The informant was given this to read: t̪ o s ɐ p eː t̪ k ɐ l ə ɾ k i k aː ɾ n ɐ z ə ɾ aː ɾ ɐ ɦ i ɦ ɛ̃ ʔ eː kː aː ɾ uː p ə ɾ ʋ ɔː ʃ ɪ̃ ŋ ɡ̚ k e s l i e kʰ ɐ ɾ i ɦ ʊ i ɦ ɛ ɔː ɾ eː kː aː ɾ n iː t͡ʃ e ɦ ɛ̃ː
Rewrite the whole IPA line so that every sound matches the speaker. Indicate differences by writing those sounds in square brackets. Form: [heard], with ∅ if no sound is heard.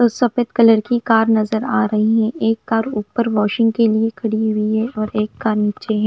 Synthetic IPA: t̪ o s ɐ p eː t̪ k ɐ l ə ɾ k i k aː ɾ n ɐ z ə ɾ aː ɾ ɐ ɦ i ɦ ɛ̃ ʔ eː kː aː ɾ uː p ə ɾ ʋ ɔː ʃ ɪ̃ ŋ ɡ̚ k e [∅] l i e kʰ ɐ [ɽ] i ɦ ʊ i ɦ ɛ ɔː ɾ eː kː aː ɾ n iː t͡ʃ e ɦ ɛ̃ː